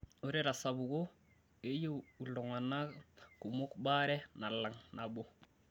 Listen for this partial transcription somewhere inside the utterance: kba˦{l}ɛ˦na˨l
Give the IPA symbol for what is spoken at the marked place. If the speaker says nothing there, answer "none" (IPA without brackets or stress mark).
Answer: ɾ